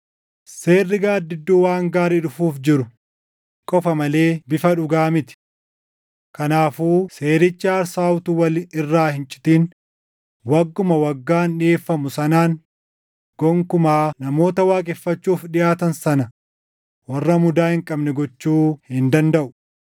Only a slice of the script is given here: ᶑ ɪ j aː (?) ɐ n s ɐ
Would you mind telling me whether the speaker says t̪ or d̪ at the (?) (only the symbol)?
t̪